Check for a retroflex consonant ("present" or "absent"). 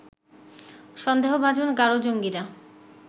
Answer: absent